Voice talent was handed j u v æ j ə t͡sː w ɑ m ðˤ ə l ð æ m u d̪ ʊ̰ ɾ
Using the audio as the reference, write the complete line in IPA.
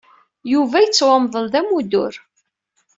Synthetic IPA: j u v æ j ə t͡sː w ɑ m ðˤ ə l ð æ m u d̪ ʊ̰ ɾ